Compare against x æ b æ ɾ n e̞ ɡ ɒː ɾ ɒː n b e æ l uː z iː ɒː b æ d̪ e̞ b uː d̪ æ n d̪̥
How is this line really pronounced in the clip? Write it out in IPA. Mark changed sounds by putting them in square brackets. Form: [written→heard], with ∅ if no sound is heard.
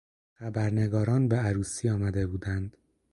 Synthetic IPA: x æ b æ ɾ n e̞ ɡ ɒː ɾ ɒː n b e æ [l→ɾ] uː [z→s] iː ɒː [b→m] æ d̪ e̞ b uː d̪ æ n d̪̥